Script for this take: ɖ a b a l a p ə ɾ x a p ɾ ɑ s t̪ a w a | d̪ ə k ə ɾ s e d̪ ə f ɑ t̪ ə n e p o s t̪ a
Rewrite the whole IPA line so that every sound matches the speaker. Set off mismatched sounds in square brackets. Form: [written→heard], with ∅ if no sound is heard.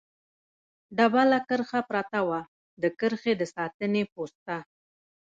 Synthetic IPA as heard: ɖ a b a l a [p→k] ə ɾ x a p ɾ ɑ [s→∅] t̪ a w a | d̪ ə k ə ɾ [s→x] e d̪ ə [f→s] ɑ t̪ ə n e p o s t̪ a